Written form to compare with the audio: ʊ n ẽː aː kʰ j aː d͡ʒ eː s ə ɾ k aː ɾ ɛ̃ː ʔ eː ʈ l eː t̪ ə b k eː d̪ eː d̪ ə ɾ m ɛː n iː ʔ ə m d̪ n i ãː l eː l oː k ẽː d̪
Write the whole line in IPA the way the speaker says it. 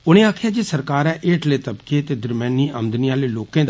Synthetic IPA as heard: ʊ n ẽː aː kʰ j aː d͡ʒ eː s ə ɾ k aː ɾ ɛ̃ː ʔ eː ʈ l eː t̪ ə b k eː t̪ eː d̪ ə ɾ m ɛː n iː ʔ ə m d̪ n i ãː l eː l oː k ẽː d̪